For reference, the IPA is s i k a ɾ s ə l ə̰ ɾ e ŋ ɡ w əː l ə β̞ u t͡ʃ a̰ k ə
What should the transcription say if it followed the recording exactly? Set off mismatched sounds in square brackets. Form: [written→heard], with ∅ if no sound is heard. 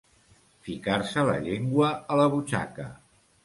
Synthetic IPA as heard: [s→f] i k a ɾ s ə l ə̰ [ɾ→ʎ] e ŋ ɡ w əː l ə β̞ u t͡ʃ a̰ k ə